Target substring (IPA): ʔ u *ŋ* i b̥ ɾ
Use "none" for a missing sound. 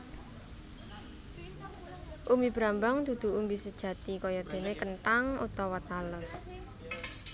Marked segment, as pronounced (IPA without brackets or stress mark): m